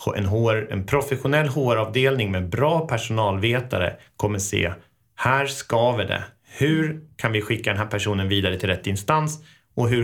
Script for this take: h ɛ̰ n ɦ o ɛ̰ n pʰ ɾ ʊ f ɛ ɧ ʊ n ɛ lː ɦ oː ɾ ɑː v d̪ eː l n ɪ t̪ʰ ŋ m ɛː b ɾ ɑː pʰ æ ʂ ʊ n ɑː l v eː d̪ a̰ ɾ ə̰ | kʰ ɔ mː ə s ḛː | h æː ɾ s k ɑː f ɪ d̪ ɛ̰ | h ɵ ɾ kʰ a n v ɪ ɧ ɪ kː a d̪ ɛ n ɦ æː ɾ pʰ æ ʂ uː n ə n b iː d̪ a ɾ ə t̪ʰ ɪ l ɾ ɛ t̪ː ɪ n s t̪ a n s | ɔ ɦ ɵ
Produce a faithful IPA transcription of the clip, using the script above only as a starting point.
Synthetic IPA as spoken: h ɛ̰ n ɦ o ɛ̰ n pʰ ɾ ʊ f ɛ ɧ ʊ n ɛ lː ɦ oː ɾ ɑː v d̪ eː l n ɪ ŋ m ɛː b ɾ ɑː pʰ æ ʂ ʊ n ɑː l v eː t̪ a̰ ɾ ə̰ | kʰ ɔ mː ə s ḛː | h æː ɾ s k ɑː v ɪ d̪ ɛ̰ | h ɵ ɾ kʰ a n v ɪ ɧ ɪ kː a d̪ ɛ n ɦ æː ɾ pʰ æ ʂ uː n ə n v iː d̪ a ɾ ə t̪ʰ ɪ l ɾ ɛ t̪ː ɪ n s t̪ a n s | ɔ ɦ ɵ